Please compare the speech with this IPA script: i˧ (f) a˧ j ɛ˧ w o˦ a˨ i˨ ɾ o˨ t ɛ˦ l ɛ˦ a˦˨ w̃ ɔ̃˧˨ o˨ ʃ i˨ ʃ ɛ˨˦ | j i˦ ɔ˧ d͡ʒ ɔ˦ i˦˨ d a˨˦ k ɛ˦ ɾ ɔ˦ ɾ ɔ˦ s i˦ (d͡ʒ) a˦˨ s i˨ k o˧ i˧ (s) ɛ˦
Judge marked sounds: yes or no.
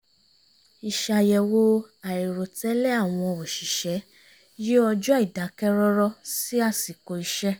no, no, no

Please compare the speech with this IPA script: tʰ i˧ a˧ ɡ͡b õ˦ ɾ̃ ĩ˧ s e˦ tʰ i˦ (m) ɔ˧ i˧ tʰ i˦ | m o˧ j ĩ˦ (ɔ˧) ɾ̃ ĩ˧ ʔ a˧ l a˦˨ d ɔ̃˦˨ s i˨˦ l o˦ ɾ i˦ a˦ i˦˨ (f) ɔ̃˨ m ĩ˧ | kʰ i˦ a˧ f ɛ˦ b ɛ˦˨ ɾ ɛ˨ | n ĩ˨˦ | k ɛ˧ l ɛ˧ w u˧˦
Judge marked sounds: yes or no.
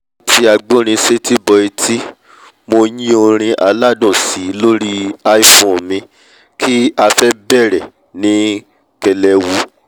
no, no, yes

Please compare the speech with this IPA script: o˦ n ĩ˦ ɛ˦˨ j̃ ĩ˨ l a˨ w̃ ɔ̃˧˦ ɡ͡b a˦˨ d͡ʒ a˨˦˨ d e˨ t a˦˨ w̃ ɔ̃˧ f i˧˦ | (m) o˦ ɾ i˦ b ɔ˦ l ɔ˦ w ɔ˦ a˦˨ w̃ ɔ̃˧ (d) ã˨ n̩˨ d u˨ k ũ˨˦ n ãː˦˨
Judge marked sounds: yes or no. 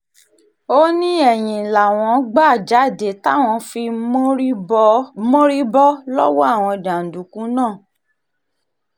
yes, yes

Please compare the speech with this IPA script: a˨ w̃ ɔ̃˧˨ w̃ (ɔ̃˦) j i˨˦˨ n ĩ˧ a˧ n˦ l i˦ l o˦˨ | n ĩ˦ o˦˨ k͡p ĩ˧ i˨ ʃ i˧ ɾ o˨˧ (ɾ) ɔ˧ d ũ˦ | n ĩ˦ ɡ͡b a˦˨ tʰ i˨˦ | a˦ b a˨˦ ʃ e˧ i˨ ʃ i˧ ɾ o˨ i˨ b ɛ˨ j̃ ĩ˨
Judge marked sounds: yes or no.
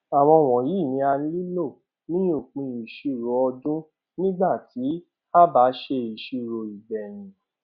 no, no

